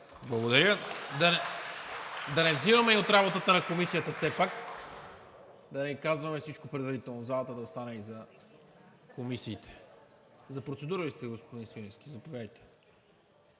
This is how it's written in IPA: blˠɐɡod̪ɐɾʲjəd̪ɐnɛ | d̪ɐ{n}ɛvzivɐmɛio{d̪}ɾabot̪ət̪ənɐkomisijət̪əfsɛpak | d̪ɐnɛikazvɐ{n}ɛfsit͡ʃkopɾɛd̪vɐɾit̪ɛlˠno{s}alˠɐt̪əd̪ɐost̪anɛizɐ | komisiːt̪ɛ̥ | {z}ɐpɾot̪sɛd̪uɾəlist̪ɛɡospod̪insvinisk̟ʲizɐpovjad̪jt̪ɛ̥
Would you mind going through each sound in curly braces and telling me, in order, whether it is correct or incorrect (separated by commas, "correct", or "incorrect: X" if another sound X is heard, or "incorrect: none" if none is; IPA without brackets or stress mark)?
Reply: correct, incorrect: t̪, incorrect: m, incorrect: z, correct